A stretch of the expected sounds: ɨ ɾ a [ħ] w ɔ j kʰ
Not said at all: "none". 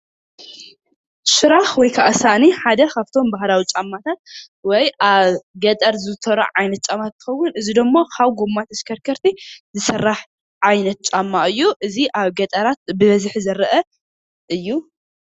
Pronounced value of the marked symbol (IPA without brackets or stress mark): x